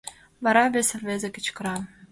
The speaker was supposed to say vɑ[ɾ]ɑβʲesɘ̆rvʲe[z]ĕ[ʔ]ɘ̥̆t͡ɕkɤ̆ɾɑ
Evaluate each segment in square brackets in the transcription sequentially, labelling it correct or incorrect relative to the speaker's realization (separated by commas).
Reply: correct, correct, incorrect